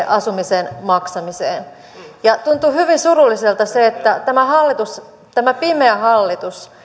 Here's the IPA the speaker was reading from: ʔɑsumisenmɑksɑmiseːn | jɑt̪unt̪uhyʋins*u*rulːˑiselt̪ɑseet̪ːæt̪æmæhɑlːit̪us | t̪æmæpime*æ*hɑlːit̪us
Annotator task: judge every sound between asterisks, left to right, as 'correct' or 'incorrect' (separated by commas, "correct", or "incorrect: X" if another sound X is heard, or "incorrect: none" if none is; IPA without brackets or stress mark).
correct, correct